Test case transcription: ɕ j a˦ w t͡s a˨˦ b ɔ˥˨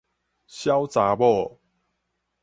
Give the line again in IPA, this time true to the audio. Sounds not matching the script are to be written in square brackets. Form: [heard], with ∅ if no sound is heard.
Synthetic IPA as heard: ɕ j a˦ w t͡s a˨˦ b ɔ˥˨